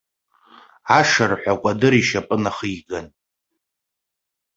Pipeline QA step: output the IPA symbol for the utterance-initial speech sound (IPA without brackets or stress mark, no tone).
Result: a